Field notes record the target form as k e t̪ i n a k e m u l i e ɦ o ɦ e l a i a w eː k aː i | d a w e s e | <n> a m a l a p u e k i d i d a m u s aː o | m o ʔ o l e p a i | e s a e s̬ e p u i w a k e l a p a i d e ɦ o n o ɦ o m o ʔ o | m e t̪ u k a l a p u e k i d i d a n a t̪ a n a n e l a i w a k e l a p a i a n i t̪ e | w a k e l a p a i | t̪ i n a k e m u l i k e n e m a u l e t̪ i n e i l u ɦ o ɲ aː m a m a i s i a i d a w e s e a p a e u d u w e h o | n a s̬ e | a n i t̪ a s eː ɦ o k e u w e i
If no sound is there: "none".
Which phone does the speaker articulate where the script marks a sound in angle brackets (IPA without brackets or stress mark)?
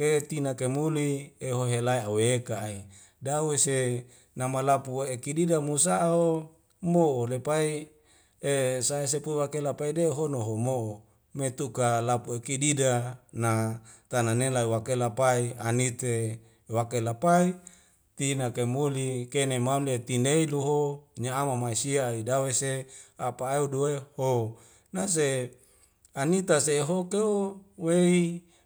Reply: n